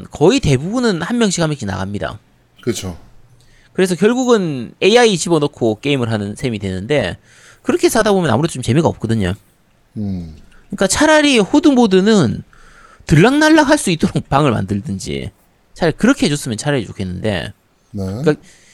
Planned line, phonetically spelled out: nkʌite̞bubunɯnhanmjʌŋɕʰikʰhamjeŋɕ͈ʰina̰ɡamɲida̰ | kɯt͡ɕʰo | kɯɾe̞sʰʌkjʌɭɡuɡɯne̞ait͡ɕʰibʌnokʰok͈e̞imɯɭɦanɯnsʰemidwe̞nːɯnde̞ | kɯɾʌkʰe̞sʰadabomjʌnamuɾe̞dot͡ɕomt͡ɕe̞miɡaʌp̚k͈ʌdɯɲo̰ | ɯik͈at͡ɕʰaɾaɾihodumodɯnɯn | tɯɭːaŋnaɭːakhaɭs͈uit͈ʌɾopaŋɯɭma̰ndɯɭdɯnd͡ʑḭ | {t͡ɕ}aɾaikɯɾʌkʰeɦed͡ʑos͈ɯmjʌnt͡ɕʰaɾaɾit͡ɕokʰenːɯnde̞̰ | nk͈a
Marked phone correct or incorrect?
incorrect